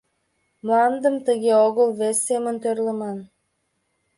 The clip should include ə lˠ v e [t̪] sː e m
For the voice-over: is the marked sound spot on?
no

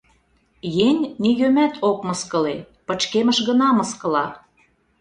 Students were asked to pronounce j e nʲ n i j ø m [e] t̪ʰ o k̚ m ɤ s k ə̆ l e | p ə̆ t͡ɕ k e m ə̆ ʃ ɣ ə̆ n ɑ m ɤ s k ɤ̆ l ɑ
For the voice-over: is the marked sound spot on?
no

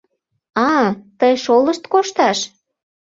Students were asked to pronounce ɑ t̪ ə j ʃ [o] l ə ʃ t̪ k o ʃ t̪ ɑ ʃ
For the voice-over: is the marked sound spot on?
yes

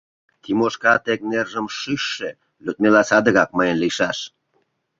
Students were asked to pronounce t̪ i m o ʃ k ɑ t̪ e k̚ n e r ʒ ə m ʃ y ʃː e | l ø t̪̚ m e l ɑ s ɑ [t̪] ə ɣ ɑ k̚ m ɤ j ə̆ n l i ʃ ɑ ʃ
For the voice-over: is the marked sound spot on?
no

